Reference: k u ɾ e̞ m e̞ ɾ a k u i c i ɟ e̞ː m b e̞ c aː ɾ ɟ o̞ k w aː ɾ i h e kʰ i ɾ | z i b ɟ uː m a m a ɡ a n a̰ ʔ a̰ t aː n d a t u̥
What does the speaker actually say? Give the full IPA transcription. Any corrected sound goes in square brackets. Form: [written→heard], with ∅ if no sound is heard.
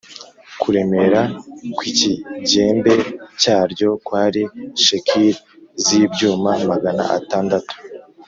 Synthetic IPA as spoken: k u ɾ e̞ m e̞ ɾ a k [u→w] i c i ɟ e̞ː m b e̞ c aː ɾ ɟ o̞ k w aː ɾ i [h→ʃ] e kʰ i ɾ | z i b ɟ uː m a m a ɡ a n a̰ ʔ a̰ t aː n d a t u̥